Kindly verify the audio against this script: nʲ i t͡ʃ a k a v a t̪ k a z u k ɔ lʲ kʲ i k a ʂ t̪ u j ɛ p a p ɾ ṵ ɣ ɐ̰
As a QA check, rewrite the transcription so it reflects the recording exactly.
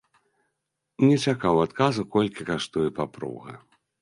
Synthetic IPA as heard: nʲ ɛ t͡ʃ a k a w a t̪ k a z u k ɔ lʲ kʲ i k a ʂ t̪ u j ɛ p a p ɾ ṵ ɣ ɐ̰

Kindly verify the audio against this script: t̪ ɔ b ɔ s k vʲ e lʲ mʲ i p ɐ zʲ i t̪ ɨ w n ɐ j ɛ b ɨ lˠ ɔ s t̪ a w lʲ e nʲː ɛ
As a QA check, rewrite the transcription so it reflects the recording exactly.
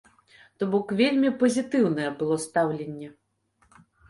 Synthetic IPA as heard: t̪ ɔ b ɔ k vʲ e lʲ mʲ i p ɐ zʲ i t̪ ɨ w n ɐ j ɛ b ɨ lˠ ɔ s t̪ a w lʲ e nʲː ɛ

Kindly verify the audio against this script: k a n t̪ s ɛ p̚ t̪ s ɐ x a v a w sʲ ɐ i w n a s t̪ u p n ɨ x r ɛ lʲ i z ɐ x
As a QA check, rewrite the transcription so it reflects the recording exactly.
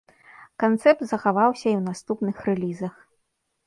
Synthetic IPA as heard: k a n t̪ s ɛ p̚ t̪ z ɐ x a v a w sʲ ɐ i w n a s t̪ u p n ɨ x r ɛ lʲ i z ɐ x

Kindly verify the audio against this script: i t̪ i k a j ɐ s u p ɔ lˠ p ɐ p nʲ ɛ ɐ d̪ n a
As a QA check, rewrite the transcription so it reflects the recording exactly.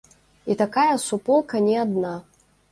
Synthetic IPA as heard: i t̪ a k a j ɐ s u p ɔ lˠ k ɐ nʲ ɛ a d̪ n a

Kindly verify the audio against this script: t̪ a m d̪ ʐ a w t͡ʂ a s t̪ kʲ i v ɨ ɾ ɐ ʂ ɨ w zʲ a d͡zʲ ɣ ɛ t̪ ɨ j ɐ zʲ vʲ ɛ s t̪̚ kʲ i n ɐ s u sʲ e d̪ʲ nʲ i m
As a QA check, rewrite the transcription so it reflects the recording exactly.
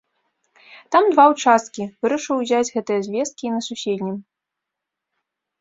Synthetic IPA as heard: t̪ a m d̪ v a w t͡ʂ a s t̪ kʲ i v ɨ ɾ ɐ ʂ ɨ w zʲ a d͡zʲ ɣ ɛ t̪ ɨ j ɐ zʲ vʲ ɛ s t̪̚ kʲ i n ɐ s u sʲ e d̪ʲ nʲ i m

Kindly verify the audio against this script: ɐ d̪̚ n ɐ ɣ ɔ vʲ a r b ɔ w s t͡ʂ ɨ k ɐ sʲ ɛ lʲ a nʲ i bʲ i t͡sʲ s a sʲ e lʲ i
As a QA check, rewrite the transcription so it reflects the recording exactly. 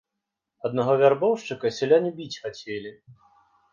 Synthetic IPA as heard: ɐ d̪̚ n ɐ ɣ ɔ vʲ a r b ɔ w ʂ t͡ʂ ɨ k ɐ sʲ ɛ lʲ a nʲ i bʲ i t͡sʲ x a t͡sʲ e lʲ i

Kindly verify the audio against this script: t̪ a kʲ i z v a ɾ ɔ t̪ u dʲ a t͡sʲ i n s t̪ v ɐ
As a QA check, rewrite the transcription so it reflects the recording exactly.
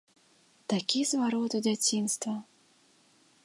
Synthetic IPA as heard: t̪ a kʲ i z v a ɾ ɔ t̪ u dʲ a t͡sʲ i n s t̪ v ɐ

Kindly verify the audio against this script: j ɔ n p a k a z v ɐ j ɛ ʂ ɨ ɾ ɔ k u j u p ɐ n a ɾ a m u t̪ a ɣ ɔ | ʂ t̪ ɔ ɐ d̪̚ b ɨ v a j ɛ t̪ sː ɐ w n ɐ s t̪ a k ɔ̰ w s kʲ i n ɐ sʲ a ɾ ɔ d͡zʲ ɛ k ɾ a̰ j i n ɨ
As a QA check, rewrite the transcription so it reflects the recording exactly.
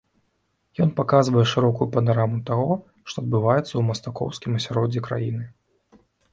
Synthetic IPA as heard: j ɔ n p a k a z v ɐ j ɛ ʂ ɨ ɾ ɔ k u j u p ɐ n a ɾ a m u t̪ a ɣ ɔ | ʂ t̪ ɔ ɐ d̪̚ b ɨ v a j ɛ t̪ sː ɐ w m ɐ s t̪ a k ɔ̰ w s kʲ i m ɐ sʲ a ɾ ɔ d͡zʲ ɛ k ɾ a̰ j i n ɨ

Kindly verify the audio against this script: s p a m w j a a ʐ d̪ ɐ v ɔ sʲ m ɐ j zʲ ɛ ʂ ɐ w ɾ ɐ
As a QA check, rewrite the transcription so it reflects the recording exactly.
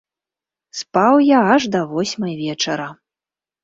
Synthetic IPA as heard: s p a w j a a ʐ d̪ ɐ v ɔ sʲ m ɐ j vʲ ɛ t͡ʂ ɐ ɾ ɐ

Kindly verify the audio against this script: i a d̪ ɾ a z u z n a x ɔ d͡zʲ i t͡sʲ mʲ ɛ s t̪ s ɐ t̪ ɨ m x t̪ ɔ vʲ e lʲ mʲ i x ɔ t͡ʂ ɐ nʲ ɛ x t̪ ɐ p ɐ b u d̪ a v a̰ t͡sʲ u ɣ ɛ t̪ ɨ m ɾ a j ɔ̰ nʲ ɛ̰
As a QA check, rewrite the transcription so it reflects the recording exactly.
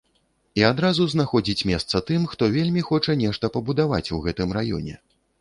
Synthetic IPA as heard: i a d̪ ɾ a z u z n a x ɔ d͡zʲ i t͡sʲ mʲ ɛ s t̪ s ɐ t̪ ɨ m x t̪ ɔ vʲ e lʲ mʲ i x ɔ t͡ʂ ɐ nʲ ɛ ʂ t̪ ɐ p ɐ b u d̪ a v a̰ t͡sʲ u ɣ ɛ t̪ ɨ m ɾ a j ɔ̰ nʲ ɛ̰

